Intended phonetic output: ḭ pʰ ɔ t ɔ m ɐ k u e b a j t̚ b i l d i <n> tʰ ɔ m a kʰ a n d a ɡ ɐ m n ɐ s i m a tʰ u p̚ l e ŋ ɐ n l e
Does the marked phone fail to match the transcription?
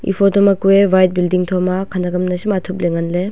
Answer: yes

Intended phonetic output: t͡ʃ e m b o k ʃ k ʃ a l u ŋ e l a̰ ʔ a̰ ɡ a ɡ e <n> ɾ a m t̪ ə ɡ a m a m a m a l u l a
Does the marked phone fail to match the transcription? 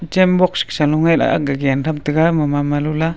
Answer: no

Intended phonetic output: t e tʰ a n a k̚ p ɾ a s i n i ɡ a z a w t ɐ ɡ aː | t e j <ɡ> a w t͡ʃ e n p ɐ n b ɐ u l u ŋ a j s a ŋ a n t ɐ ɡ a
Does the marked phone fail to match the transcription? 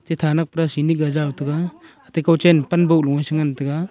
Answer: yes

